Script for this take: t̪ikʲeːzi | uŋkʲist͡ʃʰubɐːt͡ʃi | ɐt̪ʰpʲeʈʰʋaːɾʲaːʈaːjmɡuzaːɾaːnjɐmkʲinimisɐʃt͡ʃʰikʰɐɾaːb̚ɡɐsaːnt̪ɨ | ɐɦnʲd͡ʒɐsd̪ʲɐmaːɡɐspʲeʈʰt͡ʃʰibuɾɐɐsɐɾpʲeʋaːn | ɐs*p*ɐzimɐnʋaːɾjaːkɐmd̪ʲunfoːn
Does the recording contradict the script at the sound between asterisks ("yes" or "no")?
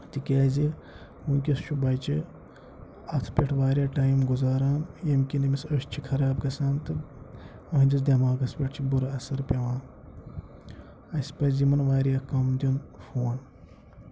no